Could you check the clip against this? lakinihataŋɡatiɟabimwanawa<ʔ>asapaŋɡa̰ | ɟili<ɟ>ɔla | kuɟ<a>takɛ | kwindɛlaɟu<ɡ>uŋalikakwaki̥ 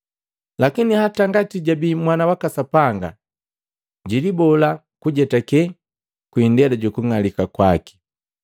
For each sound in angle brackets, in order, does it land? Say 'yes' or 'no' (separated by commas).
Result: no, no, no, no